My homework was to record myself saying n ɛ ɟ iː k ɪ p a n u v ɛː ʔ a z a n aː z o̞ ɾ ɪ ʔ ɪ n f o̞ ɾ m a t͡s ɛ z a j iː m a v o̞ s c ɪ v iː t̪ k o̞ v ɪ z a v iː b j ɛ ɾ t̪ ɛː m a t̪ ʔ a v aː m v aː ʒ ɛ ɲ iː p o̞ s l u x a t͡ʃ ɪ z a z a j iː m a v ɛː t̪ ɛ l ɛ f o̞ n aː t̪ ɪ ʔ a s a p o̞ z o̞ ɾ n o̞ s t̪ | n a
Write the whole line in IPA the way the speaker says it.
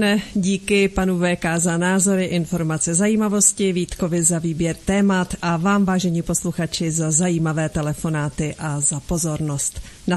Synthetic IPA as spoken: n ɛ ɟ iː k ɪ p a n u v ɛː k a z a n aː z o̞ ɾ ɪ ʔ ɪ n f o̞ ɾ m a t͡s ɛ z a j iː m a v o̞ s c ɪ v iː t̪ k o̞ v ɪ z a v iː b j ɛ ɾ t̪ ɛː m a t̪ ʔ a v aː m v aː ʒ ɛ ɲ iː p o̞ s l u x a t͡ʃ ɪ z a z a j iː m a v ɛː t̪ ɛ l ɛ f o̞ n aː t̪ ɪ ʔ a z a p o̞ z o̞ ɾ n o̞ s t̪ | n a